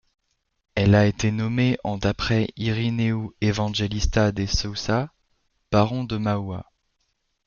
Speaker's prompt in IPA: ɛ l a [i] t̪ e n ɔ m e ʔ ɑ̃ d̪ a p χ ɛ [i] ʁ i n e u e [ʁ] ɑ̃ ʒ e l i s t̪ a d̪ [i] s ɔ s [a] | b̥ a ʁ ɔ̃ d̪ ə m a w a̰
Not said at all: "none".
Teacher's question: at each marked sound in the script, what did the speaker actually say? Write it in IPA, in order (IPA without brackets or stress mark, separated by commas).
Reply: e, i, v, e, a